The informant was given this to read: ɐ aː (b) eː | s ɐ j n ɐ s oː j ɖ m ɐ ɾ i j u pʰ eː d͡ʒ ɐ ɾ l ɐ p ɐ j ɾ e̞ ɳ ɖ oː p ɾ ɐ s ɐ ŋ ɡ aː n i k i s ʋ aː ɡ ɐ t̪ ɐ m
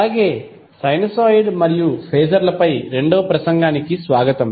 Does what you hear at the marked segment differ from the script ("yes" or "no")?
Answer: yes